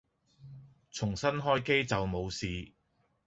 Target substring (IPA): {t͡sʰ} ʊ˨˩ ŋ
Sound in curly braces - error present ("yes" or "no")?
no